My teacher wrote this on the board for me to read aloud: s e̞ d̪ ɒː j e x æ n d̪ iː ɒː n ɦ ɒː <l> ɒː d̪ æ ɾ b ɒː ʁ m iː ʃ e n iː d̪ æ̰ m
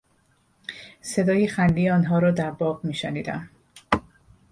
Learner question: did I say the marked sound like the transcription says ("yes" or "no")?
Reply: no